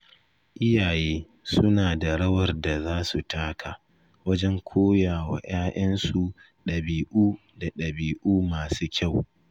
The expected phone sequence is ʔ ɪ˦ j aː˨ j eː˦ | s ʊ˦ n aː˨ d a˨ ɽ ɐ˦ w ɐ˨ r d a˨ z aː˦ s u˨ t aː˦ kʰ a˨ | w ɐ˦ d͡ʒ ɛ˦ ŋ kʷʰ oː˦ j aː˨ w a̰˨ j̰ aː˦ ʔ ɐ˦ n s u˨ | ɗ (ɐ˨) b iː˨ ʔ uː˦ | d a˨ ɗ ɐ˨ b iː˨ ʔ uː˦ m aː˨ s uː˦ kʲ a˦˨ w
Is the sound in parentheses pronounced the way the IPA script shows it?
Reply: yes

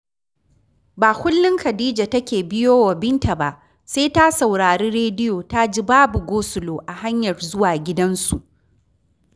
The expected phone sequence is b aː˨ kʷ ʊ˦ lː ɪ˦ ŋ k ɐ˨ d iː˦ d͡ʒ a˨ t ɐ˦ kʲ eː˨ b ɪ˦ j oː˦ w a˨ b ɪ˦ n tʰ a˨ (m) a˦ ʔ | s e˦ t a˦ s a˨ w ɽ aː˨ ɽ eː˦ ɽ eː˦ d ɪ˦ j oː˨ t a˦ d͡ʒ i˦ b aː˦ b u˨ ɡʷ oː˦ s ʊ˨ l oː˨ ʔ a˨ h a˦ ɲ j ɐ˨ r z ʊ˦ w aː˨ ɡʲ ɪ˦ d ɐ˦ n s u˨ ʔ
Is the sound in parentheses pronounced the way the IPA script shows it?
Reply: no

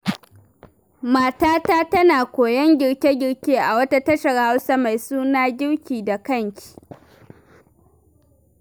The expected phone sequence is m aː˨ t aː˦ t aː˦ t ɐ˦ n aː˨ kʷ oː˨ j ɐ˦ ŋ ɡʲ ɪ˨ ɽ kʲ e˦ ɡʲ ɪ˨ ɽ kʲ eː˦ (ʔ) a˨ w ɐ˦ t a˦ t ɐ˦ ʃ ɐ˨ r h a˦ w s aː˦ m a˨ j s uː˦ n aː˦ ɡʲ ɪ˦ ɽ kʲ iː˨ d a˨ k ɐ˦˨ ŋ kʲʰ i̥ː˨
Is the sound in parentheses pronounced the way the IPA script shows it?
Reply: yes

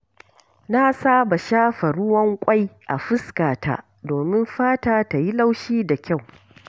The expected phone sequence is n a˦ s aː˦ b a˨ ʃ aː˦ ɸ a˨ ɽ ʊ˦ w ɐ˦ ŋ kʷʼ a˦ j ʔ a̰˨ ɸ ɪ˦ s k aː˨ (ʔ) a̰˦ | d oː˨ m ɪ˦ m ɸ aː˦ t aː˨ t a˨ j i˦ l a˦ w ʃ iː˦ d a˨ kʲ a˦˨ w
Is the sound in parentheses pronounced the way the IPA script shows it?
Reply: no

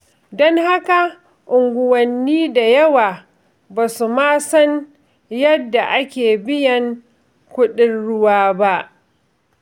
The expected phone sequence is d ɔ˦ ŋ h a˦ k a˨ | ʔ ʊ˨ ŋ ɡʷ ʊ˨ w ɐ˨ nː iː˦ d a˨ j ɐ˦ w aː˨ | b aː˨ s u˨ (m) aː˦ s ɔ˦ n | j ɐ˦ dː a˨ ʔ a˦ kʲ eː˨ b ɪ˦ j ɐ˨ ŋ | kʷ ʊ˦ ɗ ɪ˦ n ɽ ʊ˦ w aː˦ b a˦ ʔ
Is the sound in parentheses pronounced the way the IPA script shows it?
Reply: yes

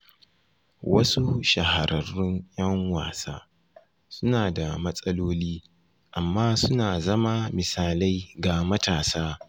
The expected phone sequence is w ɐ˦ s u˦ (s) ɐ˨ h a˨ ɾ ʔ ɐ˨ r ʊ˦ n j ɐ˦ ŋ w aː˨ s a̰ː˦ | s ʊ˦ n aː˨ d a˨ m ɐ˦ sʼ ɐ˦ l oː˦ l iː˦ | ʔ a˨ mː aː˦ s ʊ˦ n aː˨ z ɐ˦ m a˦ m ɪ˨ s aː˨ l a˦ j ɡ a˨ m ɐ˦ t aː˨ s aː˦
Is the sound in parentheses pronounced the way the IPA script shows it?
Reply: no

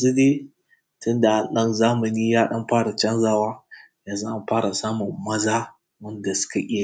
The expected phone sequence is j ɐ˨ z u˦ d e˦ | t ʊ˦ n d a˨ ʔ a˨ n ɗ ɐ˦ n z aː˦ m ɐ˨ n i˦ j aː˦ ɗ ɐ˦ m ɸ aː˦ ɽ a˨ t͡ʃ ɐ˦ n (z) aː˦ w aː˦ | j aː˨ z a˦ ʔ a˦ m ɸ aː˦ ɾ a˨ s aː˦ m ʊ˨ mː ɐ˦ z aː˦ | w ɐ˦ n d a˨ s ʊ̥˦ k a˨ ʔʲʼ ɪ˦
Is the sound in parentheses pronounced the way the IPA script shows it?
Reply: yes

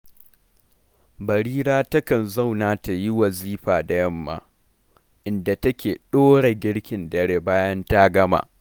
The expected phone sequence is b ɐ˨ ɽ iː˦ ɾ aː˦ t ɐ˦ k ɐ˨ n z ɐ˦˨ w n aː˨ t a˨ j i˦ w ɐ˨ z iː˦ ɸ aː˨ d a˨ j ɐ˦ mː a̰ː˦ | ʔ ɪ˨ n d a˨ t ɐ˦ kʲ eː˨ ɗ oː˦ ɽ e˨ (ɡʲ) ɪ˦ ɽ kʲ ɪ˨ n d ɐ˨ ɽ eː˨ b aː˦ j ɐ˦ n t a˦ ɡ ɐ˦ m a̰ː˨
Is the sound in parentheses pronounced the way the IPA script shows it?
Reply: yes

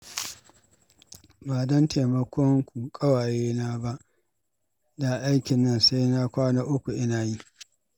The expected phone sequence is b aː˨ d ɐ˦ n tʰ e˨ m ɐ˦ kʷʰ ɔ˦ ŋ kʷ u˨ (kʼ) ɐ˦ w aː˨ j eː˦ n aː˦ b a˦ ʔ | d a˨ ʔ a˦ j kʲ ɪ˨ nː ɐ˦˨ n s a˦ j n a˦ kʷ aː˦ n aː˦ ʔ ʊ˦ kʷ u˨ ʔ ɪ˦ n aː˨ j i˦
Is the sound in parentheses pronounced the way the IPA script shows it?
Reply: yes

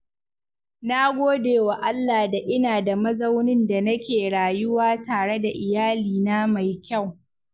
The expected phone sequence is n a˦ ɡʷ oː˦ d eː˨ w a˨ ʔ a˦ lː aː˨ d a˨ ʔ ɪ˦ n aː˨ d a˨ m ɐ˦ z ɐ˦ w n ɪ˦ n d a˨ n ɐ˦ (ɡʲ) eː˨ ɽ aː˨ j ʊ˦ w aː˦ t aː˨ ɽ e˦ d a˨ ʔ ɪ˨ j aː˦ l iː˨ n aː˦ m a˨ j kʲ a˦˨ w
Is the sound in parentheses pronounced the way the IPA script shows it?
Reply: no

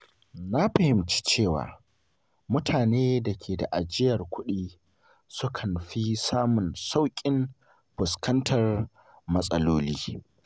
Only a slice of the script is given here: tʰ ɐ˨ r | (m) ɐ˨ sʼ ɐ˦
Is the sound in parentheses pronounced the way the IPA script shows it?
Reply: yes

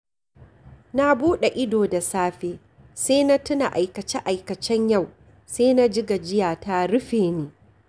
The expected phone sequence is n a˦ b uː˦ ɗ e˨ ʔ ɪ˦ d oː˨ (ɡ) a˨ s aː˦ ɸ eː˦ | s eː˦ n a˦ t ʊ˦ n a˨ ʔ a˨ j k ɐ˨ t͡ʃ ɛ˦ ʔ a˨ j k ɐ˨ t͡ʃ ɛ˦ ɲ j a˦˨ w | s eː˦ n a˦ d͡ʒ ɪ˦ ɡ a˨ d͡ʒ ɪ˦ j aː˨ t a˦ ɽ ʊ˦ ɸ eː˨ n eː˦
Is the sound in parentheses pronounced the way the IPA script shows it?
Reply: no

